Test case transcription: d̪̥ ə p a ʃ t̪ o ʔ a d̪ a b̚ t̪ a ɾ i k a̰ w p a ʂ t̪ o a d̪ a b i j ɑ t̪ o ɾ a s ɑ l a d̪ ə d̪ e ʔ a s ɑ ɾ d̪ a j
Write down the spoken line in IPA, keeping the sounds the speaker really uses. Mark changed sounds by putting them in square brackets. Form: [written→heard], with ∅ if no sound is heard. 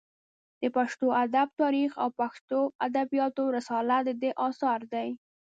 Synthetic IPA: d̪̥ ə p a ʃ t̪ o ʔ a d̪ a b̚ t̪ [a→ɑ] ɾ i [k→x] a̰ w p a [ʂ→x] t̪ o a d̪ a b i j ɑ t̪ o ɾ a s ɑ l a d̪ ə d̪ e ʔ [a→ɑ] s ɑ ɾ d̪ a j